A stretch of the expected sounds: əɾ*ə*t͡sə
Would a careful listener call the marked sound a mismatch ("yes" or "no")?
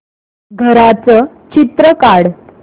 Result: yes